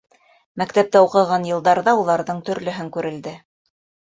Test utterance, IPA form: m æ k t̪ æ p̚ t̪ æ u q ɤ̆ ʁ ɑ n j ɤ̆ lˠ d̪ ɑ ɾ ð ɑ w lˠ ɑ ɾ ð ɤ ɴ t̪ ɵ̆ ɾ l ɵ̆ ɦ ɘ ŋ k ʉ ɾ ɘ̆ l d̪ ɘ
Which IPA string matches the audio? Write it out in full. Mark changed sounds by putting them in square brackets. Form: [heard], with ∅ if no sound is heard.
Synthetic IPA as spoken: m æ k t̪ æ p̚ t̪ æ u q ɤ̆ ʁ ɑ n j ɤ̆ lˠ d̪ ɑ ɾ ð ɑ [u] lˠ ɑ ɾ ð ɤ ɴ t̪ ɵ̆ ɾ l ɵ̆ ɦ ɘ ŋ k ʉ ɾ ɘ̆ l d̪ ɘ